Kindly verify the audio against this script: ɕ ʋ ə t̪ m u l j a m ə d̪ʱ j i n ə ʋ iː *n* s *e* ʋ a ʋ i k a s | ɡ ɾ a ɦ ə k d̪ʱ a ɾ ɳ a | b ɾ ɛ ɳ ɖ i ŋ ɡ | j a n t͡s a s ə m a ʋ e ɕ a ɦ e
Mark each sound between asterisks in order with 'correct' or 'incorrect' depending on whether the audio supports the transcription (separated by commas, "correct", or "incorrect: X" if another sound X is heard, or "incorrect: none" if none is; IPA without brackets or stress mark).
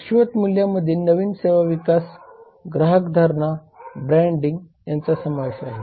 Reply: correct, correct